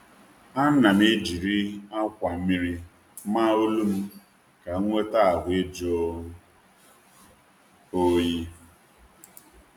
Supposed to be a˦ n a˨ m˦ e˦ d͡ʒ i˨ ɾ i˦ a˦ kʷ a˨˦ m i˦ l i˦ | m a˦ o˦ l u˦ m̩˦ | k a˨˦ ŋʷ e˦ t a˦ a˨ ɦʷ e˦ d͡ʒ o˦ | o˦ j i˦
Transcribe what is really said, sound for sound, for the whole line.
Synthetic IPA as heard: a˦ n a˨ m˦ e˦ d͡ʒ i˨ ɾ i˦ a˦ kʷ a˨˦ m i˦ ɾ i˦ | m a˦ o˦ l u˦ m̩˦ | k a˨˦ ŋʷ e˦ t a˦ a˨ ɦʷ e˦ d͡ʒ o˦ | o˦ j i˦